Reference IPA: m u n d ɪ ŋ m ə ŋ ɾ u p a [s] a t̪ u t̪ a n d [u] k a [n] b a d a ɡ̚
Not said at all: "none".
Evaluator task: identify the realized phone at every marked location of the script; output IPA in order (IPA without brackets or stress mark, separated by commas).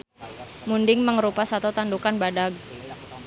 s, u, n